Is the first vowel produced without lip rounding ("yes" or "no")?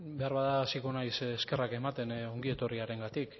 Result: yes